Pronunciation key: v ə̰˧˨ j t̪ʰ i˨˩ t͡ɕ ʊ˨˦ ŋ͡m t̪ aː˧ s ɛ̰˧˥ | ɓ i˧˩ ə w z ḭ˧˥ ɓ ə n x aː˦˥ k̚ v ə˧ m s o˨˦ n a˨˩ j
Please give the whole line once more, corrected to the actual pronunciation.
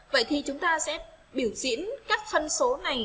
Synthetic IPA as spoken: v ə̰˧˨ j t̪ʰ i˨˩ t͡ɕ ʊ˨˦ ŋ͡m t̪ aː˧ s ɛ̰˧˥ | ɓ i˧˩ ə w z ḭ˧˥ ə n k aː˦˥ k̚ f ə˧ n s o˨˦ n a˨˩ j